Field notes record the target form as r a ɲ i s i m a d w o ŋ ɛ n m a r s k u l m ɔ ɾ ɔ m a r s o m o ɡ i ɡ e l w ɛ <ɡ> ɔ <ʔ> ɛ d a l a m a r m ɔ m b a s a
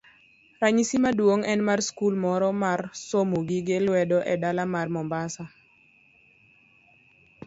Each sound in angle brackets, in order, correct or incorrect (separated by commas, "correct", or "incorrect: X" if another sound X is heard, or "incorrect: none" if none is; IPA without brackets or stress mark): incorrect: d, correct